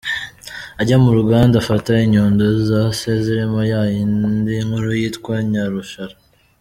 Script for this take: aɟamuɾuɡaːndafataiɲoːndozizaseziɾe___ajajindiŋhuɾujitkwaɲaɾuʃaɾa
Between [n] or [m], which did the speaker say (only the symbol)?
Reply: m